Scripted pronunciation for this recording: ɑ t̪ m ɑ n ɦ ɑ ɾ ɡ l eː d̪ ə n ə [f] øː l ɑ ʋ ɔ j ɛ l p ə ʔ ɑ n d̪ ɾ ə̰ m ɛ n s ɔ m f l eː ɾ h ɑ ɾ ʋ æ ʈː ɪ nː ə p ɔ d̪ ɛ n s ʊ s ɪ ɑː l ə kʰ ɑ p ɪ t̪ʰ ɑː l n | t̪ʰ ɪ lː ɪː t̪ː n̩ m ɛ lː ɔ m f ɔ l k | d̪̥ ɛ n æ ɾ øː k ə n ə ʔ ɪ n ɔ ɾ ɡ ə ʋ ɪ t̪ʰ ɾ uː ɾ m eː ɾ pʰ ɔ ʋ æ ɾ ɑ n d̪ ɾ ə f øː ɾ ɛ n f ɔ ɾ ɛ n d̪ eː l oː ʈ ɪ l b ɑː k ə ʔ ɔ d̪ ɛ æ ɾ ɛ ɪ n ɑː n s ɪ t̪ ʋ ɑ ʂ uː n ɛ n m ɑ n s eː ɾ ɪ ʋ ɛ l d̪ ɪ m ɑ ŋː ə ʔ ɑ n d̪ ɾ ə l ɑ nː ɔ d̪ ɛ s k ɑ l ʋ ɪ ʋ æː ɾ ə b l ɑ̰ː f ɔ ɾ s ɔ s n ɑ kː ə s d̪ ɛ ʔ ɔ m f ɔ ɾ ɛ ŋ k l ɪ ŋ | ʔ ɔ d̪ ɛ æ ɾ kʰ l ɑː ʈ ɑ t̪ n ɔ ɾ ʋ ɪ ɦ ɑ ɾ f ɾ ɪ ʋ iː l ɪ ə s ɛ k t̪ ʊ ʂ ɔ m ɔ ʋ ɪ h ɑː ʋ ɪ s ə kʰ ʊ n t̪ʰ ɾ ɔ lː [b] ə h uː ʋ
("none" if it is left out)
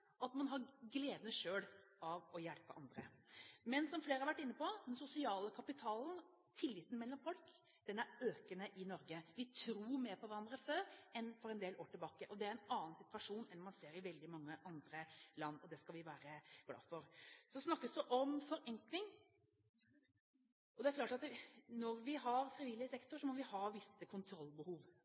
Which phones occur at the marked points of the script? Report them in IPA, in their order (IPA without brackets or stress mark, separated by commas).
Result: ʂ, b